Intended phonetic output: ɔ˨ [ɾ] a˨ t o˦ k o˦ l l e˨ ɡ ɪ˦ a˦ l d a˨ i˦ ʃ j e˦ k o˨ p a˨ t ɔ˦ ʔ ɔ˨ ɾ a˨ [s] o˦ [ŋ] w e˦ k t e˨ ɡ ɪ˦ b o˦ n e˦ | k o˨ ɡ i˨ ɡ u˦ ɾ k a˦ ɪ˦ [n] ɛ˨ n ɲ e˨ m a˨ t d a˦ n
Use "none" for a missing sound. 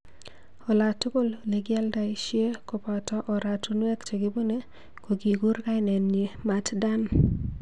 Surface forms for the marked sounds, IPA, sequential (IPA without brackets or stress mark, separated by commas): l, t, n, n